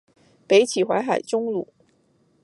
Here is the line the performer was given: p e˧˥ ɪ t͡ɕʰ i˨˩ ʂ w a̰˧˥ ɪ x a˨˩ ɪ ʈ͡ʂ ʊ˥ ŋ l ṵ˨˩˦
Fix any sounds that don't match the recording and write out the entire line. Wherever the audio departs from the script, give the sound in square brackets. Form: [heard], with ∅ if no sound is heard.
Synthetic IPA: p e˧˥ ɪ t͡ɕʰ i˨˩ [x] w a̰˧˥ ɪ x a˨˩ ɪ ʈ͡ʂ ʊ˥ ŋ l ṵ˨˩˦